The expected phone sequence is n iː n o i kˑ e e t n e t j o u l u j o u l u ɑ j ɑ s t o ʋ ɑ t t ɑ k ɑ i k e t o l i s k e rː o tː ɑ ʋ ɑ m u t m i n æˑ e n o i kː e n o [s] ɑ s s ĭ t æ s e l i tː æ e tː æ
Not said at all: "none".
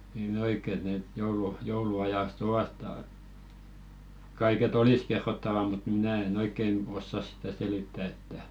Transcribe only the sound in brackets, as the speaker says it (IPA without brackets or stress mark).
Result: sː